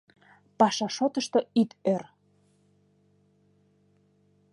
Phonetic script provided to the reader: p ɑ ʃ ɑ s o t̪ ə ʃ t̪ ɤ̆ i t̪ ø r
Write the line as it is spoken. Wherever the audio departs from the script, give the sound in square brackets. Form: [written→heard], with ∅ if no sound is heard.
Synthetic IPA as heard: p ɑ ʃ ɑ [s→ʃ] o t̪ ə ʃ t̪ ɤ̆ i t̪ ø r